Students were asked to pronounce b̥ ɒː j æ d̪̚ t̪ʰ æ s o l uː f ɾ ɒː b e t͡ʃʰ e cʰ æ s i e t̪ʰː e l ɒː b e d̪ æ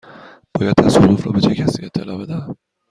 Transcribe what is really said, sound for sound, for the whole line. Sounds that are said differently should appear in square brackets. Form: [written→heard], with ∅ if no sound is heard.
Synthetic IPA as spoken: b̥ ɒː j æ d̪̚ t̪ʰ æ s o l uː f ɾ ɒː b e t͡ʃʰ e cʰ æ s i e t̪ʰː e l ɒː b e d̪ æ